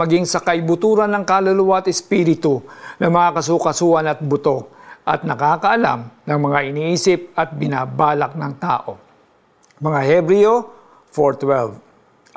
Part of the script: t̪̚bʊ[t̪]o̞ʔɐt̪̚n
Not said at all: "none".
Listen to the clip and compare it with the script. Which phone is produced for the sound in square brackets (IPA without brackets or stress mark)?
t̪